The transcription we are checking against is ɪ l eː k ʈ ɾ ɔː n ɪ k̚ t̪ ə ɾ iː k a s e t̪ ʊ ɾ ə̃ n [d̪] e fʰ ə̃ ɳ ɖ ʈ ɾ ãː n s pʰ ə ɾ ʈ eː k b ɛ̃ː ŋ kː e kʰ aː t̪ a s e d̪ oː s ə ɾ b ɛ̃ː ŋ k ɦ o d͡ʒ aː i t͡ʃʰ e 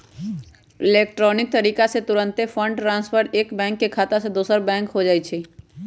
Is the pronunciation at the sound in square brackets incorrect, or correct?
incorrect